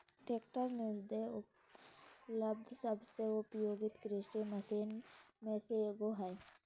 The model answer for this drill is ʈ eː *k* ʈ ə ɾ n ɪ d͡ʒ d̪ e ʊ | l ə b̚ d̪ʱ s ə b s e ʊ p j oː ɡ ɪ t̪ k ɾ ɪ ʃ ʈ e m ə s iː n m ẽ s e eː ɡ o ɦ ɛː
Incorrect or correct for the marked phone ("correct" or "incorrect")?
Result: correct